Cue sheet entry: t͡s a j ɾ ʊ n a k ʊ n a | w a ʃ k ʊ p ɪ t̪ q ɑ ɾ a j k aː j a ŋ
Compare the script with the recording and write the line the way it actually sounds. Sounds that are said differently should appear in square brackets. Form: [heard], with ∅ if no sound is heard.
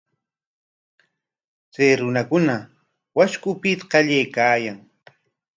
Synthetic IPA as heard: t͡s a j ɾ ʊ n a k ʊ n a | w a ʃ k ʊ p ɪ t̪ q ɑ [ʎ] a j k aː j a ŋ